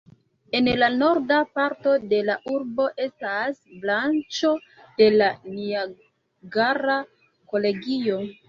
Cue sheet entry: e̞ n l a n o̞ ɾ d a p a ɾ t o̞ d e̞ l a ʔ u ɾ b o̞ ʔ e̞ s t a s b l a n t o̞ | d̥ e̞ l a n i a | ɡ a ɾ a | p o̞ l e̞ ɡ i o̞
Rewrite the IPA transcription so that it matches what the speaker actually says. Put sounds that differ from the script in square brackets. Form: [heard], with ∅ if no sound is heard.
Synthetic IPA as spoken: e̞ n l a n o̞ ɾ d a p a ɾ t o̞ d e̞ l a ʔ u ɾ b o̞ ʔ e̞ s t a s b l a n [t͡ʃ] o̞ | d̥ e̞ l a n i a | ɡ a ɾ a | [k] o̞ l e̞ ɡ i o̞